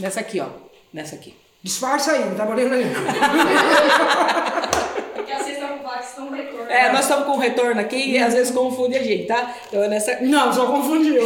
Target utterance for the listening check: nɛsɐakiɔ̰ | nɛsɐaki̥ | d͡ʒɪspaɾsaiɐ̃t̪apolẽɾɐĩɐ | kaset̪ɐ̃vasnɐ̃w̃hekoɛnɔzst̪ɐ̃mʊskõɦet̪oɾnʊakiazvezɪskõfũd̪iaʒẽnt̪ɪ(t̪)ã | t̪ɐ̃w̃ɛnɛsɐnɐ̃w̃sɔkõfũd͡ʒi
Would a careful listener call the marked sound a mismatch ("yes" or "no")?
no